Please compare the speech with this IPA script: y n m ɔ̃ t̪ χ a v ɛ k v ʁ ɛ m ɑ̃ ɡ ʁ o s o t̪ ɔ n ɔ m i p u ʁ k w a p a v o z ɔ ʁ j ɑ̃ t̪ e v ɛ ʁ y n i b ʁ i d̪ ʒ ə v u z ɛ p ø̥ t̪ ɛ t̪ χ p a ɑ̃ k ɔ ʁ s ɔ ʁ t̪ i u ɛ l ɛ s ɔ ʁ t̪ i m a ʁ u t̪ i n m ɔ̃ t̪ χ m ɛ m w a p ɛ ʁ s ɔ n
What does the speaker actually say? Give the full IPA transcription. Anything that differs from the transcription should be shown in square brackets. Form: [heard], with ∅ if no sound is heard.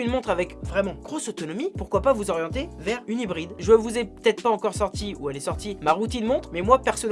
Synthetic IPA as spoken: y n m ɔ̃ t̪ χ a v ɛ k v ʁ ɛ m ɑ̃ ɡ ʁ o s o t̪ ɔ n ɔ m i p u ʁ k w a p a v [u] z ɔ ʁ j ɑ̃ t̪ e v ɛ ʁ y n i b ʁ i d̪ ʒ ə v u z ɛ p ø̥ t̪ ɛ t̪ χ p a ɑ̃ k ɔ ʁ s ɔ ʁ t̪ i u ɛ l ɛ s ɔ ʁ t̪ i m a ʁ u t̪ i n m ɔ̃ t̪ χ m ɛ m w a p ɛ ʁ s ɔ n

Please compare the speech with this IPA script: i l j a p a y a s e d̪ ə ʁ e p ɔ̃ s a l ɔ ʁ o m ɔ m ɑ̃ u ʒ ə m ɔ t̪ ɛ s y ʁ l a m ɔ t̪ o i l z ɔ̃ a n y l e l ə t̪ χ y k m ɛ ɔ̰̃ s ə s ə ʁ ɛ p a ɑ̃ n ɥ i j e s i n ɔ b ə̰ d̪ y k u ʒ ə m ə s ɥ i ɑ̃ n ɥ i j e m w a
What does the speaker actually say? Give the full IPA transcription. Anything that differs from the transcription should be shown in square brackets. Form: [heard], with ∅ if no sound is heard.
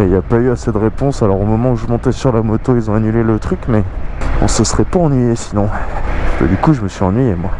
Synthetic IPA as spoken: i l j a p a y a s e d̪ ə ʁ e p ɔ̃ s a l ɔ ʁ o m ɔ m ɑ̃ u ʒ ə m [ɔ̃] t̪ ɛ s y ʁ l a m ɔ t̪ o i l z ɔ̃ a n y l e l ə t̪ χ y k m ɛ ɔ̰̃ s ə s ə ʁ ɛ p a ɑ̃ n ɥ i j e s i n [ɔ̃] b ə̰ d̪ y k u ʒ ə m ə s ɥ i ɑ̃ n ɥ i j e m w a

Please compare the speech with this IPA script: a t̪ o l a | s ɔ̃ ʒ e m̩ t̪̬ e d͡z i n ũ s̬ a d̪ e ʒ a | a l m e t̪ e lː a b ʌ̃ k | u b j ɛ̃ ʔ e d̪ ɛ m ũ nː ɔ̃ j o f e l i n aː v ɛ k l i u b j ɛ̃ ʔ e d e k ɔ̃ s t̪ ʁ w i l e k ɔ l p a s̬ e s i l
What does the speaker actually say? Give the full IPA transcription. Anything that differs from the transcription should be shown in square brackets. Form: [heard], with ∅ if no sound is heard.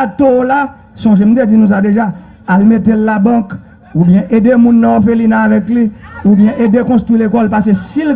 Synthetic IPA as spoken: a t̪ o l a | s ɔ̃ ʒ e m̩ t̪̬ e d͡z i n ũ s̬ a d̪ e ʒ a | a l m e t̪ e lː a b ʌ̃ k | u b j ɛ̃ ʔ e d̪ [e] m ũ nː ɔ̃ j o f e l i n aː v ɛ k l i u b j ɛ̃ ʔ e d e k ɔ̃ s t̪ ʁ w i l e k ɔ l p a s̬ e s i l

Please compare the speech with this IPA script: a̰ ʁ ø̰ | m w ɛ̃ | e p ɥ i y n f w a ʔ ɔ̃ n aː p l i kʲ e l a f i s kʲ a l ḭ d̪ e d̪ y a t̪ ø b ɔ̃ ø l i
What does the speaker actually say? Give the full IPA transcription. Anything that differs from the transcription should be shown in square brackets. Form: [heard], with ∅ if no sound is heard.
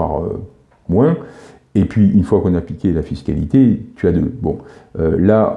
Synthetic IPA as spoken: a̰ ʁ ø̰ | m w ɛ̃ | e p ɥ i y n f w a [k] ɔ̃ n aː p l i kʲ e l a f i s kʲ a l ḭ [t̪] e [t̪] y a [d̪] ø b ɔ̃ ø l [a]

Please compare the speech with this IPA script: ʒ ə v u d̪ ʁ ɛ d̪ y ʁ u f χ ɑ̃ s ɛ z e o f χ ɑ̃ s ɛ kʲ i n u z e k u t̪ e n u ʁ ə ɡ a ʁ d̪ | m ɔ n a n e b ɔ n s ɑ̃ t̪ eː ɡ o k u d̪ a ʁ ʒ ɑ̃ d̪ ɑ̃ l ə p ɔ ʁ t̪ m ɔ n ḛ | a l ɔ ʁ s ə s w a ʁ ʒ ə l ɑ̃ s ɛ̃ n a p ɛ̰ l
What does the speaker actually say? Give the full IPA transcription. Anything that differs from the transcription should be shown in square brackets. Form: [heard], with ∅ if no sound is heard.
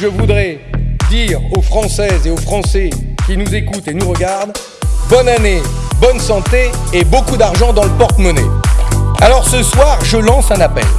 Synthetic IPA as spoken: ʒ ə v u d̪ ʁ ɛ d̪ [i] ʁ [o] f χ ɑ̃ s ɛ z e o f χ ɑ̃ s ɛ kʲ i n u z e k u t̪ e n u ʁ ə ɡ a ʁ d̪ | [b] ɔ n a n e b ɔ n s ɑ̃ t̪ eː [b] o k u d̪ a ʁ ʒ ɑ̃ d̪ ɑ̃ l ə p ɔ ʁ t̪ m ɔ n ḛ | a l ɔ ʁ s ə s w a ʁ ʒ ə l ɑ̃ s ɛ̃ n a p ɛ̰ l

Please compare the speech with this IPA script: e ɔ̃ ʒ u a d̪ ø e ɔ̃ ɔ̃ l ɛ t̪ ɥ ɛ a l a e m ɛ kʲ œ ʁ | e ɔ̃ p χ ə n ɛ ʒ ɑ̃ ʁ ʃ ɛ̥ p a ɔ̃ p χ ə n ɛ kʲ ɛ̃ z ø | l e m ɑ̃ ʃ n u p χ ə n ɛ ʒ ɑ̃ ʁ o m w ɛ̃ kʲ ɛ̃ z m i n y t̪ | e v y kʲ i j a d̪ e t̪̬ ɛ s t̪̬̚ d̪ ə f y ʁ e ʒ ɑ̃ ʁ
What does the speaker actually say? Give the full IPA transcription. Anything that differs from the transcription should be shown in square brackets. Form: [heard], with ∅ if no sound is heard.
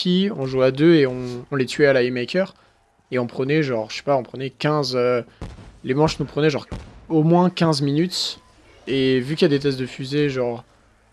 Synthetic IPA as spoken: [i] ɔ̃ ʒ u a d̪ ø e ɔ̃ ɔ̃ l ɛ t̪ ɥ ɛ a l a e m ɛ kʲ œ ʁ | e ɔ̃ p χ ə n ɛ ʒ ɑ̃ ʁ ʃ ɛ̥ p a ɔ̃ p χ ə n ɛ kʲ ɛ̃ z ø | l e m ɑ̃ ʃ n u p χ ə n ɛ ʒ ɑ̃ ʁ o m w ɛ̃ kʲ ɛ̃ z m i n y t̪ | e v y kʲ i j a d̪ e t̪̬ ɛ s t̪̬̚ d̪ ə f y [z] e ʒ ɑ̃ ʁ

